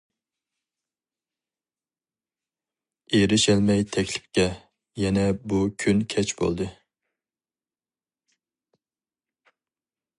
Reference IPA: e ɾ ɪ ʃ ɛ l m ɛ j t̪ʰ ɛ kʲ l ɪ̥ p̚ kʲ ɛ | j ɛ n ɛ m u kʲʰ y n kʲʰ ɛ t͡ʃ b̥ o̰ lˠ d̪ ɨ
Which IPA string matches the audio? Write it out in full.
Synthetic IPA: e ɾ ɪ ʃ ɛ l m ɛ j t̪ʰ ɛ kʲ l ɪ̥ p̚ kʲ ɛ | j ɛ n ɛ b u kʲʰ y n kʲʰ ɛ t͡ʃ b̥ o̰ lˠ d̪ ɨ